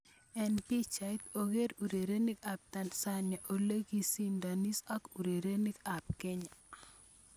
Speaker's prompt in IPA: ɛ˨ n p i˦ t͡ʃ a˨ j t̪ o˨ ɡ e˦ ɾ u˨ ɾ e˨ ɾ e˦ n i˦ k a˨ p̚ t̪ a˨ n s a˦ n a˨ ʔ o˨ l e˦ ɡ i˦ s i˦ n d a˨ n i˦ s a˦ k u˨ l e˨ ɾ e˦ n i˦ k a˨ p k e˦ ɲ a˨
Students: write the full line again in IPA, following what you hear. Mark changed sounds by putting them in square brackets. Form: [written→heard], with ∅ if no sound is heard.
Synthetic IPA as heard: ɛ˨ n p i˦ t͡ʃ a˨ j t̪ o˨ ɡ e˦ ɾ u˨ ɾ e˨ ɾ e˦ n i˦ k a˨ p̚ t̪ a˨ n s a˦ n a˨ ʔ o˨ l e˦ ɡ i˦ s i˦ n d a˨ n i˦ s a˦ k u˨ [l→ɾ] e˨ ɾ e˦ n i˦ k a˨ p k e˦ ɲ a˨

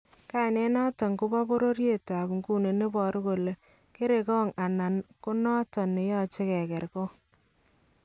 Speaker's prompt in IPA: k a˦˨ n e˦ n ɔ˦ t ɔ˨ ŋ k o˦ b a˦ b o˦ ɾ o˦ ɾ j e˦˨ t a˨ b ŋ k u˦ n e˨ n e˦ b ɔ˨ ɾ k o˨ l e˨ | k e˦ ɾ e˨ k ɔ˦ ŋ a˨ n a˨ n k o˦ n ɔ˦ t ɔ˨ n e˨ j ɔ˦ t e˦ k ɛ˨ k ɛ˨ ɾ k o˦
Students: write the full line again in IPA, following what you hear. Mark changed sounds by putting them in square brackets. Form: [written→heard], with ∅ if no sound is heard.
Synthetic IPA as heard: k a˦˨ n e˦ n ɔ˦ t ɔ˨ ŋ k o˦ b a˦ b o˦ ɾ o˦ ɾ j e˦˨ t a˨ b ŋ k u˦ n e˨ n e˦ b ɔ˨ ɾ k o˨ l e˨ | k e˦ ɾ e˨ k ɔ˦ ŋ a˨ n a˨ n k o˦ n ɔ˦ t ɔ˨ n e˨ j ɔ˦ [t→t͡ʃ] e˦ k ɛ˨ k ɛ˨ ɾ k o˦

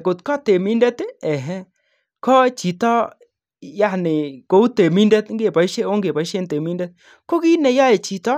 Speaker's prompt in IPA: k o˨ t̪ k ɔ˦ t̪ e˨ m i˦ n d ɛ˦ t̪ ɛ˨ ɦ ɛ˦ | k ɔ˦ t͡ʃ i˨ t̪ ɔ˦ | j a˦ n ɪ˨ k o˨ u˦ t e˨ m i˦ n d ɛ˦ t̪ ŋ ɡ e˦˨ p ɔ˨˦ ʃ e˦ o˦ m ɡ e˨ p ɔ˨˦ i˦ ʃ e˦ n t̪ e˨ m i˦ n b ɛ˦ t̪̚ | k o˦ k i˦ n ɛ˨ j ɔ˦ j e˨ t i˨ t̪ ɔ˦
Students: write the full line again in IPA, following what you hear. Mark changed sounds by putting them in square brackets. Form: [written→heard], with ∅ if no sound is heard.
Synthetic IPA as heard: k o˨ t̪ k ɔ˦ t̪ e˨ m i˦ n d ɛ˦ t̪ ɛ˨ ɦ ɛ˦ | k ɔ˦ t͡ʃ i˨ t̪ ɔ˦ | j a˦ n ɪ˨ k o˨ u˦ t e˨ m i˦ n d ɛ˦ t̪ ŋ ɡ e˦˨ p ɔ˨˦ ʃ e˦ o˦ [m→ŋ] ɡ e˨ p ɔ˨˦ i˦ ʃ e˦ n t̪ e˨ m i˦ n [b→d] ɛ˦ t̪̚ | k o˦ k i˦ n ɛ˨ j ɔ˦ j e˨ [t→t͡ʃ] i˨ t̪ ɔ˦

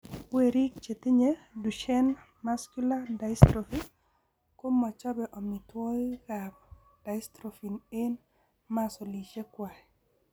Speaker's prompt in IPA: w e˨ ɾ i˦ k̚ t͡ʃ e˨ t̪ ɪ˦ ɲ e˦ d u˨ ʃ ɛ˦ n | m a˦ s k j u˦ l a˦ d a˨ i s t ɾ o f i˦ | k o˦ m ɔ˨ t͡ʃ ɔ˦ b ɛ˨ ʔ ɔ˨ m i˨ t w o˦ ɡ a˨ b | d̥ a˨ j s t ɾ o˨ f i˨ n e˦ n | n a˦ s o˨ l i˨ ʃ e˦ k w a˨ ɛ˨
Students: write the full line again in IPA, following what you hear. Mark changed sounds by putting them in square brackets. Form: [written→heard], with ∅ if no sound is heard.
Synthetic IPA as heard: w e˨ ɾ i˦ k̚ t͡ʃ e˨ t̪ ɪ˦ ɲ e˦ d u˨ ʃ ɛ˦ n | m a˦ s k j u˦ l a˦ d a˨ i s t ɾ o f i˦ | k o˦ m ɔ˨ t͡ʃ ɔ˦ b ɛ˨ ʔ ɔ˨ m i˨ t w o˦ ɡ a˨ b | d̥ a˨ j s t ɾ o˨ f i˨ n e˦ n | [n→m] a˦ s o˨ l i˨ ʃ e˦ k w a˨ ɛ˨

